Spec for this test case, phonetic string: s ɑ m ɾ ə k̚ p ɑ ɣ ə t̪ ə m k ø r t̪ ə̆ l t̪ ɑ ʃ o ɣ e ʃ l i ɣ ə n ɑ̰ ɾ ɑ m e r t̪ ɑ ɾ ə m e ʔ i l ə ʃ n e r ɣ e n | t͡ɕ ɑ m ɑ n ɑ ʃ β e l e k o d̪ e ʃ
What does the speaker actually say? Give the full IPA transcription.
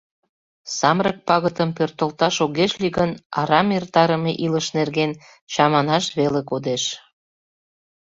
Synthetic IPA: s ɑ m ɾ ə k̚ p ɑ ɣ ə t̪ ə m p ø r t̪ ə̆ l t̪ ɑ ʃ o ɣ e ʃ l i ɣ ə n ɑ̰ ɾ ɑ m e r t̪ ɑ ɾ ə m e ʔ i l ə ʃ n e r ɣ e n | t͡ɕ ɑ m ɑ n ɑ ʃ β e l e k o d̪ e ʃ